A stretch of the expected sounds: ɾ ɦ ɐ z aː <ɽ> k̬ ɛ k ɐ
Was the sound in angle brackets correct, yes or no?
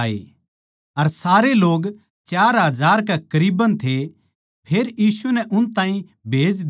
no